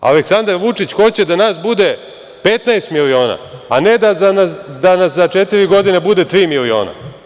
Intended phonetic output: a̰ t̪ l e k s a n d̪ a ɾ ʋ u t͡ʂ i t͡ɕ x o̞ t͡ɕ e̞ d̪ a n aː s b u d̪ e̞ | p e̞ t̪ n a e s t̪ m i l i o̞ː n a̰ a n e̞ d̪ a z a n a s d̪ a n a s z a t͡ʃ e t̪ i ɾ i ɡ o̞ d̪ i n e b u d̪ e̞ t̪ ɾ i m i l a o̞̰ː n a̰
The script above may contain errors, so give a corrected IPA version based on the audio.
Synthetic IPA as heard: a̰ l e k s a n d̪ a ɾ ʋ u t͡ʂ i t͡ɕ x o̞ t͡ɕ e̞ d̪ a n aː s b u d̪ e̞ | p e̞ t̪ n a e s t̪ m i l i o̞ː n a̰ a n e̞ d̪ a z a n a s d̪ a n a s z a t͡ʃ e t̪ i ɾ i ɡ o̞ d̪ i n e b u d̪ e̞ t̪ ɾ iː m i l i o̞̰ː n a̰